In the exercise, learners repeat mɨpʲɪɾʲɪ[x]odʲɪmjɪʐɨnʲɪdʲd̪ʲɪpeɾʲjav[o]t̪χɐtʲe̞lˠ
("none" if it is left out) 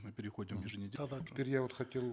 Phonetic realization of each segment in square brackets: x, o

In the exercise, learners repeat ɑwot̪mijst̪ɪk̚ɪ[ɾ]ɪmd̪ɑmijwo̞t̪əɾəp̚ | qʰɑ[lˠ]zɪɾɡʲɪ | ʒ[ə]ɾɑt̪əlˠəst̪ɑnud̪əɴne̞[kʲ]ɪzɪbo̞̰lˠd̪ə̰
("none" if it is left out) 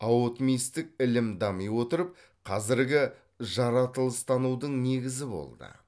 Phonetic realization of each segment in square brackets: l, none, ɑ, ɡʲ

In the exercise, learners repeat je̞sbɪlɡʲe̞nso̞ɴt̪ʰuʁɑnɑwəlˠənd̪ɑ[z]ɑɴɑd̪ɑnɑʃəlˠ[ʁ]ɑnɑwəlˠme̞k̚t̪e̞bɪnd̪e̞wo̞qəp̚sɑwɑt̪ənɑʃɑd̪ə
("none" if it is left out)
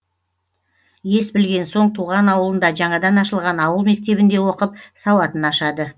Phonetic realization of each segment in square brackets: ʒ, ʁ

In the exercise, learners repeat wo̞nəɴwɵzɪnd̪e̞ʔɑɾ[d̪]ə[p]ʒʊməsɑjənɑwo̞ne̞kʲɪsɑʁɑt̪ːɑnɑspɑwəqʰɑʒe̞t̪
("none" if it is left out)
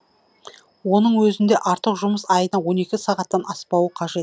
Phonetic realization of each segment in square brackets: t̪, q

